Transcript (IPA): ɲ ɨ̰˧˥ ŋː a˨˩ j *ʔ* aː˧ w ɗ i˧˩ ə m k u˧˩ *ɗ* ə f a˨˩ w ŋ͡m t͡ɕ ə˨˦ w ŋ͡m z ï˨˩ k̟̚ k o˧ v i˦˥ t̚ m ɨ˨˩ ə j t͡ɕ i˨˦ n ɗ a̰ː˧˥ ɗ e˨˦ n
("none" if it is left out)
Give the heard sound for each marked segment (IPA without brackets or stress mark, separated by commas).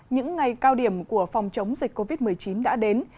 k, none